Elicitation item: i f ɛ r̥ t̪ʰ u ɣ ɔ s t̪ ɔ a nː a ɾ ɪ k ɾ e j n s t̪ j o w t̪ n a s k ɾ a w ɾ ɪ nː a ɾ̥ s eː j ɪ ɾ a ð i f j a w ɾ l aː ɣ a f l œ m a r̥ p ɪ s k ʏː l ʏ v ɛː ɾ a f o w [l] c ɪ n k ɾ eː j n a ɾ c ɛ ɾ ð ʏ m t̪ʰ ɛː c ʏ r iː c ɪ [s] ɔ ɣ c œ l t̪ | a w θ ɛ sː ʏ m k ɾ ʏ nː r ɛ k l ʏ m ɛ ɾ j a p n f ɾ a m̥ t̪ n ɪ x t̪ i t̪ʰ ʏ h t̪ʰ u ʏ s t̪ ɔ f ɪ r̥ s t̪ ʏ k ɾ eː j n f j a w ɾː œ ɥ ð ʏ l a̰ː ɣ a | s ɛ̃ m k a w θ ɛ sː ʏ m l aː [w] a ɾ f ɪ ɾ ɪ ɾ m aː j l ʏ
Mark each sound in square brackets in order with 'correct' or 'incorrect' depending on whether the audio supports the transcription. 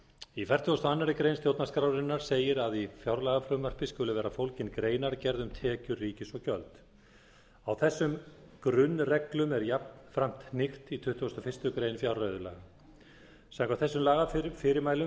correct, correct, incorrect: ɣ

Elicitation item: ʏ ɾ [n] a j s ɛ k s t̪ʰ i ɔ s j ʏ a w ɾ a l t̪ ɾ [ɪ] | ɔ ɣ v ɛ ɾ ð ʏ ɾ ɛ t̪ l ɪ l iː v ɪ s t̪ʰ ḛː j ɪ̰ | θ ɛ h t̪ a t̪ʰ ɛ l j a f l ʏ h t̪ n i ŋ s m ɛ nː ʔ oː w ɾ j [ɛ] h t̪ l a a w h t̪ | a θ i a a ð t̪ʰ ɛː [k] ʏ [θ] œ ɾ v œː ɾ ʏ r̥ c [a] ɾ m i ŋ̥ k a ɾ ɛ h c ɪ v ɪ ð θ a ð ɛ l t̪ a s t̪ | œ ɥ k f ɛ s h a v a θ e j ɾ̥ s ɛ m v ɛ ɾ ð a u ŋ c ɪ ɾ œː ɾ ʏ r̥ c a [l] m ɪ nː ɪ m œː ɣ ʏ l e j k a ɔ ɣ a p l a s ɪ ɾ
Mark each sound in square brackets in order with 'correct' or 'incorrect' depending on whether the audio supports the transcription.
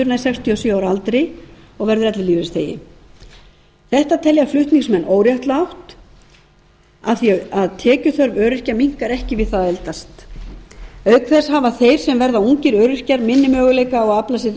correct, correct, incorrect: a, incorrect: c, correct, correct, incorrect: ɾ

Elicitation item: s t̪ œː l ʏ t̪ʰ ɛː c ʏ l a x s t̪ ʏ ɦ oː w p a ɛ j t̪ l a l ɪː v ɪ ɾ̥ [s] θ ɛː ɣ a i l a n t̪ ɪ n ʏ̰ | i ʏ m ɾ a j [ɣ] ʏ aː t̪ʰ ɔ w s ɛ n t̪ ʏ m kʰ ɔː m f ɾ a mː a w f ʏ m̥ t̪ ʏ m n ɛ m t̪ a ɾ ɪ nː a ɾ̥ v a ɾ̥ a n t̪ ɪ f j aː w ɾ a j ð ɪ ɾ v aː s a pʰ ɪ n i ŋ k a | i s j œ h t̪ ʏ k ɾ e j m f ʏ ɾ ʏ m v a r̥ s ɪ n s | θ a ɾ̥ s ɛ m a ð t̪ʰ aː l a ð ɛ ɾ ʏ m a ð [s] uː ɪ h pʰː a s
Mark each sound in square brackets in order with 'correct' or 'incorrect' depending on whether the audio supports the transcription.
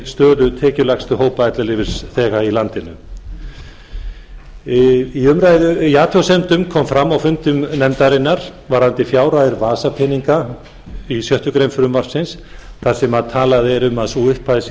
correct, incorrect: ð, correct

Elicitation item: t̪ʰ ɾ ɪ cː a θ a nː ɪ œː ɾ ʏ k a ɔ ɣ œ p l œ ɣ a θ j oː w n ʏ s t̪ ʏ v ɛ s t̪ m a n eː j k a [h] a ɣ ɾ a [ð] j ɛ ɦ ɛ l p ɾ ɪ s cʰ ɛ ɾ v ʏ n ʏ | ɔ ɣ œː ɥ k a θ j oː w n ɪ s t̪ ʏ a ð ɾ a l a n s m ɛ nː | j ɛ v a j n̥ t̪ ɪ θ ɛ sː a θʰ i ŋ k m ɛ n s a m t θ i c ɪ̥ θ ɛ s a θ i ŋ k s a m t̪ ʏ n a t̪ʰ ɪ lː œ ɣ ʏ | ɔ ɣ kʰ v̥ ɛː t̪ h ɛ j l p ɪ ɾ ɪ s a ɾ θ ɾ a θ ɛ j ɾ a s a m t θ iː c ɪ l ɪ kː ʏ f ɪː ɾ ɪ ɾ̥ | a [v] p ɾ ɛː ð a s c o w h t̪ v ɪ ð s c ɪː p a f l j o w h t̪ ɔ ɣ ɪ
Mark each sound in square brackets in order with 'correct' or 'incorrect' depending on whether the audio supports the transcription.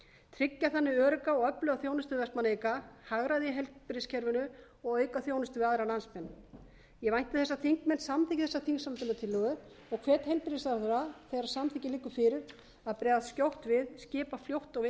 correct, correct, incorrect: ð

